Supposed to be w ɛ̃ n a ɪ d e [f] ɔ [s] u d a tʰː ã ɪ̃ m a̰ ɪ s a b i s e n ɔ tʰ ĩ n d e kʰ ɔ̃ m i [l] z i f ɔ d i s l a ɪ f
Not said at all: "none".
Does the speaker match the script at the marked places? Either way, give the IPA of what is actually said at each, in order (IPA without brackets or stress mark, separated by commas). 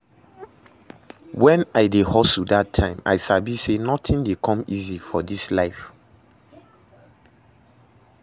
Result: h, s, none